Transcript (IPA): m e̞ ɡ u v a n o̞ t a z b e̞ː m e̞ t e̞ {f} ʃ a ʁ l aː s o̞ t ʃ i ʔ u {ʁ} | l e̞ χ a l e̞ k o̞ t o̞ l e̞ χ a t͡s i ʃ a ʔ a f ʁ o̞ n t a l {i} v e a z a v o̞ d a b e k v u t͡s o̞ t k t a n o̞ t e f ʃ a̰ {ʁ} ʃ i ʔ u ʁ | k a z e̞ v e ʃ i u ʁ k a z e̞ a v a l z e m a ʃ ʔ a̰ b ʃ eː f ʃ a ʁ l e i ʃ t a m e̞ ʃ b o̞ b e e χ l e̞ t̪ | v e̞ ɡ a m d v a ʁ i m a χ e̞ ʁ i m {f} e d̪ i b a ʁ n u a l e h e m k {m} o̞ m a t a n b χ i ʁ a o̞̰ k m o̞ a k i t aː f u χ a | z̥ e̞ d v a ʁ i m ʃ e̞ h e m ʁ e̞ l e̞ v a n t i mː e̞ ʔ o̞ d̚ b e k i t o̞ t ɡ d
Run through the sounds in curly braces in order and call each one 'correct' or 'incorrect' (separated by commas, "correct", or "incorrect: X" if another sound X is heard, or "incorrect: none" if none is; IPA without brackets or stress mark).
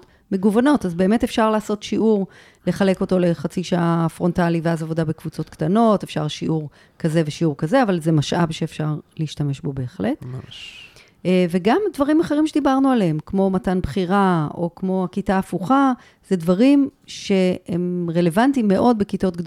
correct, correct, correct, correct, incorrect: ʃ, correct